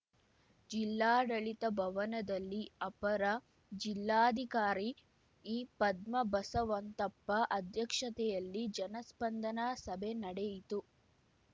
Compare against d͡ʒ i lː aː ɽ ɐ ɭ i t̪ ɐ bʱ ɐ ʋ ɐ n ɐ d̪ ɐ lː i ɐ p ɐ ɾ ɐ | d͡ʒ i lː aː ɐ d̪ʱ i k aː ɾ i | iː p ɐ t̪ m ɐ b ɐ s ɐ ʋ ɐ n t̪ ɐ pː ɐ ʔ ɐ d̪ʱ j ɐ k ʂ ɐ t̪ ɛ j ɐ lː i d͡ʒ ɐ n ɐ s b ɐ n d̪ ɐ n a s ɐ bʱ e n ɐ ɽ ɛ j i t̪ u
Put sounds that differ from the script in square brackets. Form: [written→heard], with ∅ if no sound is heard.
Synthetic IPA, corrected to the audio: d͡ʒ i lː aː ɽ ɐ ɭ i t̪ ɐ bʱ ɐ ʋ ɐ n ɐ d̪ ɐ lː i ɐ p ɐ ɾ ɐ | d͡ʒ i lː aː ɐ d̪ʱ i k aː ɾ i | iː p ɐ [t̪→d̪] m ɐ b ɐ s ɐ ʋ ɐ n t̪ ɐ pː ɐ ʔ ɐ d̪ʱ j ɐ k ʂ ɐ t̪ ɛ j ɐ lː i d͡ʒ ɐ n ɐ s [b→p] ɐ n d̪ ɐ n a s ɐ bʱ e n ɐ ɽ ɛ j i t̪ u